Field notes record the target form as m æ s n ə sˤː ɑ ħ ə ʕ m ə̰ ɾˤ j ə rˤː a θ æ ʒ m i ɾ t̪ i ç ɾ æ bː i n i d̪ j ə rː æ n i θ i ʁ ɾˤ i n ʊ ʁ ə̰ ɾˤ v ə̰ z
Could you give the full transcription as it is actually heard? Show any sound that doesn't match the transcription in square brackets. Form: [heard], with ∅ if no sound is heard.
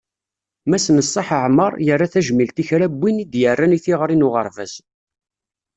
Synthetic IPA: m æ s n ə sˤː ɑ ħ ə ʕ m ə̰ ɾˤ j ə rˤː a θ æ ʒ m i [l] t̪ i ç ɾ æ bː i n i d̪ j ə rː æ n i θ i ʁ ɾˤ i n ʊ ʁ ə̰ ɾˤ v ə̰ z